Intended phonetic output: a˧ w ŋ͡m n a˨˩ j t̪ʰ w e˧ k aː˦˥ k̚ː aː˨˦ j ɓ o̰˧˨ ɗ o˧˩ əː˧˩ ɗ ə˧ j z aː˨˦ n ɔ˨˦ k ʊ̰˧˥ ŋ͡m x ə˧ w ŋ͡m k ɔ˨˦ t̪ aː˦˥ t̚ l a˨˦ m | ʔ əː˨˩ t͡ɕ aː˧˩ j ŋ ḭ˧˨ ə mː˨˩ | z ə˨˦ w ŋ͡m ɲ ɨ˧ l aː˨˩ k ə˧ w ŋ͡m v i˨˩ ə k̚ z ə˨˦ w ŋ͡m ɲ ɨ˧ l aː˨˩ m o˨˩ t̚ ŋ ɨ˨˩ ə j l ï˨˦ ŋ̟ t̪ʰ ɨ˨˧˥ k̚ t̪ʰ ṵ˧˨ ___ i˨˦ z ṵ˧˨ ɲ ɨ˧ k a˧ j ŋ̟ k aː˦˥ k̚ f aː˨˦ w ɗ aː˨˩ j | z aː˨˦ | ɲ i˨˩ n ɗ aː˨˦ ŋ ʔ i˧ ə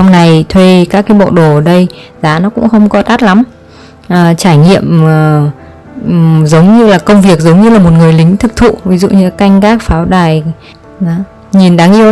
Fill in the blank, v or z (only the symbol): v